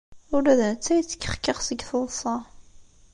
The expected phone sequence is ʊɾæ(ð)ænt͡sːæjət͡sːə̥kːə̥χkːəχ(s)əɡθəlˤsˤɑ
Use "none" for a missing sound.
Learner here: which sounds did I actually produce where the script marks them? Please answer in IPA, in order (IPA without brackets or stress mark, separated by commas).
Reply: ð, s